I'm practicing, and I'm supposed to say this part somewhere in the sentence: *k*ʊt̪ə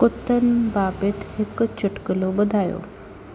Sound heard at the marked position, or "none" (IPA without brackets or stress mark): k